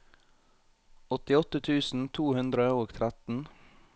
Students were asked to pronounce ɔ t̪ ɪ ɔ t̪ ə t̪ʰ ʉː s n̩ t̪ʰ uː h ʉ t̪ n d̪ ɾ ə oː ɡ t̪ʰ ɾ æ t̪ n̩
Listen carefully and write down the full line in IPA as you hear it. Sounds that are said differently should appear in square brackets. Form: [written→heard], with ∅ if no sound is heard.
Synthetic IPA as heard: ɔ t̪ ɪ ɔ t̪ ə t̪ʰ ʉː s n̩ t̪ʰ uː h ʉ [t̪→∅] n d̪ ɾ ə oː ɡ t̪ʰ ɾ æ t̪ n̩